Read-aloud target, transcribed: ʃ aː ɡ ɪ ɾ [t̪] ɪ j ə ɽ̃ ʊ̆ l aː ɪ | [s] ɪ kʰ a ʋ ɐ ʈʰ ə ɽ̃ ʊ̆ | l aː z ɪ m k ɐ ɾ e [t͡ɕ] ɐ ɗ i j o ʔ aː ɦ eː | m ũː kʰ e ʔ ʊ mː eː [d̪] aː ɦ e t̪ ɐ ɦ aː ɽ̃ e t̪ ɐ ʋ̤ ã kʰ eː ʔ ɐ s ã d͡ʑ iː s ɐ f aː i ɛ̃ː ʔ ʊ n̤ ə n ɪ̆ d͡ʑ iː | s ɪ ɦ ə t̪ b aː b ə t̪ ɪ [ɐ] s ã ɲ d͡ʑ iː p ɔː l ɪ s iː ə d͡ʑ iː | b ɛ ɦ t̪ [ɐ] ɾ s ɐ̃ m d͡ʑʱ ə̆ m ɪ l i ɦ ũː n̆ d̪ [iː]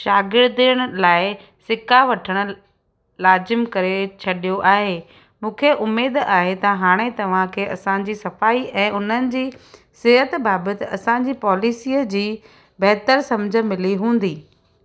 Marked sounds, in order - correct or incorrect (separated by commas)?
incorrect, correct, incorrect, correct, correct, incorrect, correct